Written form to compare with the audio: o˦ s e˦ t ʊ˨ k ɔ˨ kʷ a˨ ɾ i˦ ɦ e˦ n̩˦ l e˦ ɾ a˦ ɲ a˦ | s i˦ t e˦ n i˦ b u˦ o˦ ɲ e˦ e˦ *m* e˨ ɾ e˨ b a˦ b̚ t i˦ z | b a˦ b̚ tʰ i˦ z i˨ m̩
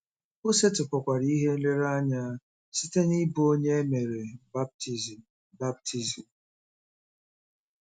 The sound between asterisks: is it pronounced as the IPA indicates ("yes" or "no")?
yes